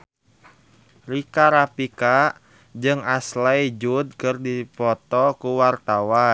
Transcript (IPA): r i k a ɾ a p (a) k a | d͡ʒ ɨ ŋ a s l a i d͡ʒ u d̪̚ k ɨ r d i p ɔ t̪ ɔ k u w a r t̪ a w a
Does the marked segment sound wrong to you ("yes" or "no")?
yes